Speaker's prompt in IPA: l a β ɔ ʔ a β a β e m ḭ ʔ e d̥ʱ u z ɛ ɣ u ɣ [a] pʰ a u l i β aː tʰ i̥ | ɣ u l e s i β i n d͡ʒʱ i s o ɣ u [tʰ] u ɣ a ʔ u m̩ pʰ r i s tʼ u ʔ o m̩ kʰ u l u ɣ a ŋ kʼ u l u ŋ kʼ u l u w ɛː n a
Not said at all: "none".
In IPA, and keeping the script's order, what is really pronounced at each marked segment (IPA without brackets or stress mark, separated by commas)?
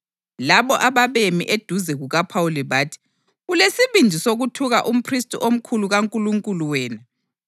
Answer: a, tʰ